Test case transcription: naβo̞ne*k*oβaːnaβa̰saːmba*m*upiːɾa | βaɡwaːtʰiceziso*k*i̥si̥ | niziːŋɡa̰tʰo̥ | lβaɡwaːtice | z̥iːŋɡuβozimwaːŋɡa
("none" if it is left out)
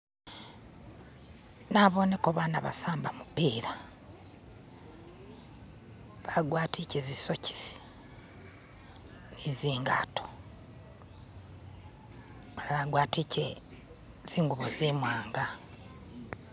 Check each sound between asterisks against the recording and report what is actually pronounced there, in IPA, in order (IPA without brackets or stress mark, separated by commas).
k, m, c